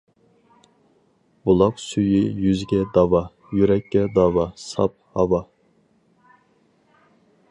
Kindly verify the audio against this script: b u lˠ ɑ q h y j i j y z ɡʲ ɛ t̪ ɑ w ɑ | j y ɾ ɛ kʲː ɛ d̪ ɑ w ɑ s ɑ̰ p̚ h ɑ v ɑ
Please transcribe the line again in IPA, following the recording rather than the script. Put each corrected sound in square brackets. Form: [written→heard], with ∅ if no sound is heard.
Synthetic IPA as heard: b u lˠ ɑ q [h→s] y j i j y z ɡʲ ɛ [t̪→d̪] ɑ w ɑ | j y ɾ ɛ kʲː ɛ d̪ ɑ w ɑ s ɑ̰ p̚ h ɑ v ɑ

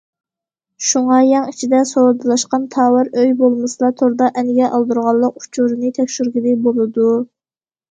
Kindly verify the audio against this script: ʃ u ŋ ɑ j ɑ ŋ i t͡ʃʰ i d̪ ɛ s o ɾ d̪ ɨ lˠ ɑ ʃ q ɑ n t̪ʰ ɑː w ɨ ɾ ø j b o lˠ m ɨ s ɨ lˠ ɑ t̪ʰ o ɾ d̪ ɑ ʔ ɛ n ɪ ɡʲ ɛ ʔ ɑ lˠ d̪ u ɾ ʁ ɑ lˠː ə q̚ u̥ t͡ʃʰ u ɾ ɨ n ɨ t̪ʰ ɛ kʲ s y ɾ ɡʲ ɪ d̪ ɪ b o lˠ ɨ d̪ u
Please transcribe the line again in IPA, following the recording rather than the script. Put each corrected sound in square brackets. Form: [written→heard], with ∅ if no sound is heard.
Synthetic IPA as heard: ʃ u ŋ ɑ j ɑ ŋ i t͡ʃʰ i d̪ ɛ s o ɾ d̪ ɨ lˠ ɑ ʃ q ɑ n t̪ʰ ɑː w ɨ ɾ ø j b o lˠ m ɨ s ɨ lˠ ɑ t̪ʰ o ɾ d̪ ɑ ʔ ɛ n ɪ ɡʲ ɛ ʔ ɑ lˠ d̪ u ɾ ʁ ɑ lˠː ə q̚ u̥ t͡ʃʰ u ɾ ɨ n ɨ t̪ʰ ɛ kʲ [s→ʃ] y ɾ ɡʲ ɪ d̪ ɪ b o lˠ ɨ d̪ u

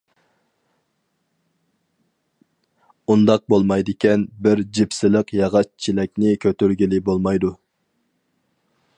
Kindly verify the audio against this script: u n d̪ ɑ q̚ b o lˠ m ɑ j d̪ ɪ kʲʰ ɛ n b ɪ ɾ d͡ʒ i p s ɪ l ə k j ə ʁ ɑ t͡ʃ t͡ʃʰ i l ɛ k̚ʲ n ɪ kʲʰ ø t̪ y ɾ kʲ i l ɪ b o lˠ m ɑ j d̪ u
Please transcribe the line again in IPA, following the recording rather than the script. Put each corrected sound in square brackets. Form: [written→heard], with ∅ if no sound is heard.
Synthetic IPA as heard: u n d̪ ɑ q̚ b o lˠ m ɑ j d̪ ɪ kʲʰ ɛ n b ɪ ɾ d͡ʒ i p s ɪ l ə [k→q] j [ə→ɑ] ʁ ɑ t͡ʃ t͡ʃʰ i l ɛ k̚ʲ n ɪ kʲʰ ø t̪ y ɾ [kʲ→ɡʲ] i l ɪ b o lˠ m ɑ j d̪ u

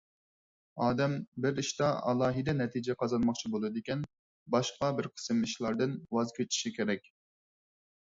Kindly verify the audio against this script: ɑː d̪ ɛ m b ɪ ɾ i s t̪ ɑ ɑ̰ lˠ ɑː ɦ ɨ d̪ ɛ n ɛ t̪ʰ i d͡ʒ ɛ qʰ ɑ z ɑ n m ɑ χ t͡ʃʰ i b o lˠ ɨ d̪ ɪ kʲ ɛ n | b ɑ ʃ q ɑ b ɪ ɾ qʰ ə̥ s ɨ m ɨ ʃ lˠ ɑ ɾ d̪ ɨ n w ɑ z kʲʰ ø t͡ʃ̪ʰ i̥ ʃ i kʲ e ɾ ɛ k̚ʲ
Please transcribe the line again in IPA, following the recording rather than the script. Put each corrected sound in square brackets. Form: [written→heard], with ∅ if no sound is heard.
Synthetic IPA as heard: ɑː d̪ ɛ m b ɪ ɾ i [s→ʃ] t̪ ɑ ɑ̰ lˠ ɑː ɦ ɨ d̪ ɛ n ɛ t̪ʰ i d͡ʒ ɛ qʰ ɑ z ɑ n m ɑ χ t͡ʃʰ i b o lˠ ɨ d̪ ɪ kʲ ɛ n | b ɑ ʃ q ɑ b ɪ ɾ qʰ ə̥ s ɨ m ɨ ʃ lˠ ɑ ɾ d̪ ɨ n w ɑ z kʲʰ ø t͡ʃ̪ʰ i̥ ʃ i kʲ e ɾ ɛ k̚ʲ

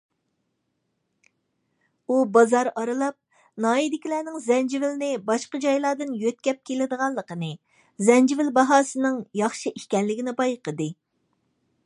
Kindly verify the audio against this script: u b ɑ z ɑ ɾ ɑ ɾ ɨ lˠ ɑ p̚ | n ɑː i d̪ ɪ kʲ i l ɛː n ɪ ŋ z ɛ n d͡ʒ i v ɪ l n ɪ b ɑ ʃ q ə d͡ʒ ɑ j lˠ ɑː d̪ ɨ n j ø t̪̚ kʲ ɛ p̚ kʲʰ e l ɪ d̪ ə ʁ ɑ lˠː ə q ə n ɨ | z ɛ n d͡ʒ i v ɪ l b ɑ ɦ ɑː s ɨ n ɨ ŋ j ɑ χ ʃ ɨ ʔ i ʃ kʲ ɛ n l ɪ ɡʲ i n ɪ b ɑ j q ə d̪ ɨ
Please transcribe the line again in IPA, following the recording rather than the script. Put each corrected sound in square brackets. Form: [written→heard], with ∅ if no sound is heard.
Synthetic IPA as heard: u b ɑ z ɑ ɾ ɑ ɾ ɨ lˠ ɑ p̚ | n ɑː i d̪ ɪ kʲ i l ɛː n ɪ ŋ z ɛ n d͡ʒ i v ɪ l n ɪ b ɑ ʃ q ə d͡ʒ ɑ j lˠ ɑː d̪ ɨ n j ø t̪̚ kʲ ɛ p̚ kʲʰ e l ɪ d̪ ə ʁ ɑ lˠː ə q ə n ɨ | z ɛ n d͡ʒ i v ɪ l b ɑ ɦ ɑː s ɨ n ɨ ŋ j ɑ χ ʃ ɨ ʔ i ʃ kʲ ɛ n l ɪ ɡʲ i n ɪ b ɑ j q ə d̪ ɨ

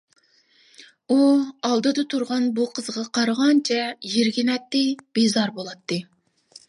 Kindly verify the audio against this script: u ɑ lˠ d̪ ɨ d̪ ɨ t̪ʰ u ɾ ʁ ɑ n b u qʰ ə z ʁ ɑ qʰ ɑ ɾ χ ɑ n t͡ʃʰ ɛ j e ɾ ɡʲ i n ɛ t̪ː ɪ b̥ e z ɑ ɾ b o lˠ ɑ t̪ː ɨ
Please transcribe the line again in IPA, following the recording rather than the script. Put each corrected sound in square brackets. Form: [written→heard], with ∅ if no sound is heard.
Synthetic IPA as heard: u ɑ lˠ d̪ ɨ d̪ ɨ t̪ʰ u ɾ ʁ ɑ n b u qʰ ə z ʁ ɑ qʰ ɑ ɾ [χ→ʁ] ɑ n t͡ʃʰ ɛ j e ɾ ɡʲ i n ɛ t̪ː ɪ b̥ e z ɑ ɾ b o lˠ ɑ t̪ː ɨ

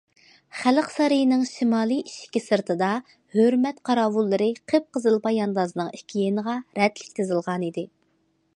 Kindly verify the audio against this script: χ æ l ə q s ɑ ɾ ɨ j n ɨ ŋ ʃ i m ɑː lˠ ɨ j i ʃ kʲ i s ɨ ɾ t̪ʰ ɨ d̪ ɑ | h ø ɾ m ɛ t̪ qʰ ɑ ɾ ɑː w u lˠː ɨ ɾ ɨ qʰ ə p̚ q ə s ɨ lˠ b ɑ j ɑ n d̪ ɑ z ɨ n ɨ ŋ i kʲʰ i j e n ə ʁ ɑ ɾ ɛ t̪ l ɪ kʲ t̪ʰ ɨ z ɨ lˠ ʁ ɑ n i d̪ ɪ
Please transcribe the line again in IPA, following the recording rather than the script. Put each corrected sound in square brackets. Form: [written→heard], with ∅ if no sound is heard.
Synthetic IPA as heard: χ æ l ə q s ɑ ɾ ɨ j n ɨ ŋ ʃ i m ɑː lˠ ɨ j i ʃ kʲ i s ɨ ɾ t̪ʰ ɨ d̪ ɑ | h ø ɾ m ɛ t̪ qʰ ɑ ɾ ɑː w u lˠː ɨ ɾ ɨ qʰ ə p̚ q ə [s→z] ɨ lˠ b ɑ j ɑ n d̪ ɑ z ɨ n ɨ ŋ i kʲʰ i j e n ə ʁ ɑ ɾ ɛ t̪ l ɪ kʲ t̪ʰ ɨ z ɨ lˠ ʁ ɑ n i d̪ ɪ

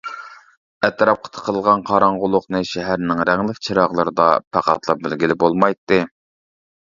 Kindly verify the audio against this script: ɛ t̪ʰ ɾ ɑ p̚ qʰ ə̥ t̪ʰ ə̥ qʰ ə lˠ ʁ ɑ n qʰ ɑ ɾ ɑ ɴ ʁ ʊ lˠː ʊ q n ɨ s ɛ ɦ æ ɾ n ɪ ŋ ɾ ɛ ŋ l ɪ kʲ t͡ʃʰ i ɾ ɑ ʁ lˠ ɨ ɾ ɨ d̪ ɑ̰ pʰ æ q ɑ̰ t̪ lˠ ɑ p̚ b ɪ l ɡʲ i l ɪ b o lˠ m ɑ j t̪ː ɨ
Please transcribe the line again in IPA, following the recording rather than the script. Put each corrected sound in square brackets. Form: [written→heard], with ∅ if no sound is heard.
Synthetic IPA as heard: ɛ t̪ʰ ɾ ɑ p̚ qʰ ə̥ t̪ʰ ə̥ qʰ ə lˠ ʁ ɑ n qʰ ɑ ɾ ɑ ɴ ʁ ʊ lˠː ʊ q n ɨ [s→ʃ] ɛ ɦ æ ɾ n ɪ ŋ ɾ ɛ ŋ l ɪ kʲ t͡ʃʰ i ɾ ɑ ʁ lˠ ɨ ɾ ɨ d̪ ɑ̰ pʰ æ q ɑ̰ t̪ lˠ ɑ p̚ b ɪ l ɡʲ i l ɪ b o lˠ m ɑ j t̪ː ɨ

